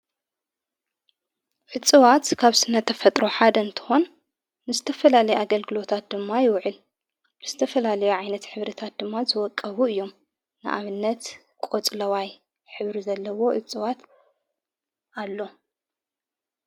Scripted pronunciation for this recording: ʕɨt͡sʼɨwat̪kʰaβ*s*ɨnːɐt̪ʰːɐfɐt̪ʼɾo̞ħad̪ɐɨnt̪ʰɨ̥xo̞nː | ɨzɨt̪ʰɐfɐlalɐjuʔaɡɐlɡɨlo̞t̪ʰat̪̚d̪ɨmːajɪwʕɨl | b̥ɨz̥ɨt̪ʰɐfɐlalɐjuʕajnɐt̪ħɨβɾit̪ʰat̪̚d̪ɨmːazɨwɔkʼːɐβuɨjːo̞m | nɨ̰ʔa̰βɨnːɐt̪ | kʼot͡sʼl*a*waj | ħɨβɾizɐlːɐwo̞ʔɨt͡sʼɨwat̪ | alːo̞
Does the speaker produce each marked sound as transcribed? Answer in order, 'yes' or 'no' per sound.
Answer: yes, no

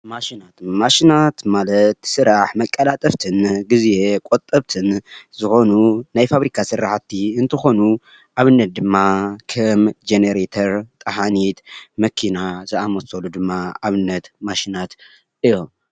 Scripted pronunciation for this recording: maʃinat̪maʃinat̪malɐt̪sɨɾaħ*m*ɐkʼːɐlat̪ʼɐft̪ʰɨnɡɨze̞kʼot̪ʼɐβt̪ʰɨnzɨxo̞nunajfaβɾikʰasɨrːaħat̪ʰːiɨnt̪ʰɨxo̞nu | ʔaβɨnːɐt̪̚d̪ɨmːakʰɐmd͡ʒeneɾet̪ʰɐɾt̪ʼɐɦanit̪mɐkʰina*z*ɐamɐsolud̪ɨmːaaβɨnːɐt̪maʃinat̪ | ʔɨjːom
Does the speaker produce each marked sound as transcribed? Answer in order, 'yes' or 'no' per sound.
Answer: yes, yes

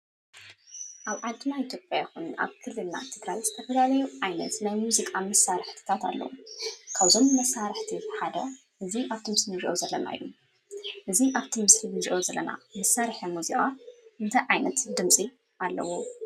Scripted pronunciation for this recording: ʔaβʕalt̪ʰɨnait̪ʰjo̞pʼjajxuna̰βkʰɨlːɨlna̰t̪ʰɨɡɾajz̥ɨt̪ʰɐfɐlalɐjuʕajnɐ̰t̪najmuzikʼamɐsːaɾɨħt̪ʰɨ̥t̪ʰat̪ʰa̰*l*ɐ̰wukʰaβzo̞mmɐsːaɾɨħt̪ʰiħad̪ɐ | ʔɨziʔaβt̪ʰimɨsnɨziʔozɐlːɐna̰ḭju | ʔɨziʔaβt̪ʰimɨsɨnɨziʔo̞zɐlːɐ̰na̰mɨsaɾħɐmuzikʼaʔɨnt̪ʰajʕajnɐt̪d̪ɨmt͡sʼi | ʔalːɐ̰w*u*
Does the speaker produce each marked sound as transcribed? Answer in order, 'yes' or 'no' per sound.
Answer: no, no

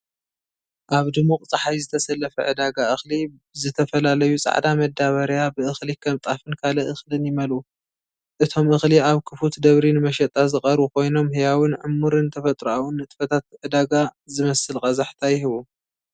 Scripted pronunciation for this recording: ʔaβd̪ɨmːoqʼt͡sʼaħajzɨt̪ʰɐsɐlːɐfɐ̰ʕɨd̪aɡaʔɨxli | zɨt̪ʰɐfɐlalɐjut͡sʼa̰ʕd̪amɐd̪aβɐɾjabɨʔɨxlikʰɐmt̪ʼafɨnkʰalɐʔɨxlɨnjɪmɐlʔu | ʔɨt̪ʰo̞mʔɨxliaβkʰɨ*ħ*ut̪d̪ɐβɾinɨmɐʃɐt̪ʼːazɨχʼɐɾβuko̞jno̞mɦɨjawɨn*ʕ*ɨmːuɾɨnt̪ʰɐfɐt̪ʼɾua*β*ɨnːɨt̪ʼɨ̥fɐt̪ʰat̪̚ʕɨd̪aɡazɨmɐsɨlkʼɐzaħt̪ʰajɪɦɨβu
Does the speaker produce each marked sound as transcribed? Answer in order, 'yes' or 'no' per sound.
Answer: no, yes, no

